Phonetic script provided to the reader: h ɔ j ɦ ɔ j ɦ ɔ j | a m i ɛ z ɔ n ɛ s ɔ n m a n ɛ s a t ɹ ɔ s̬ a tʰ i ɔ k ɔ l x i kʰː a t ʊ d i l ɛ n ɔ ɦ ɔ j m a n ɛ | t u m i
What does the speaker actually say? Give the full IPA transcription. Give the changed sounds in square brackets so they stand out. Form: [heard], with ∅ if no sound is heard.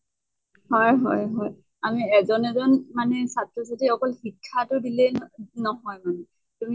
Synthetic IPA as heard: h ɔ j ɦ ɔ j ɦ ɔ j | a m i ɛ z ɔ n ɛ [z] ɔ n m a n ɛ s a t ɹ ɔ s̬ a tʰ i ɔ k ɔ l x i kʰː a t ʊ d i l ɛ n ɔ ɦ ɔ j m a n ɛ | t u m i